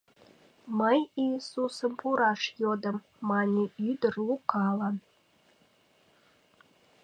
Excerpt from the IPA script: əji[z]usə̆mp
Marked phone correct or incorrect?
incorrect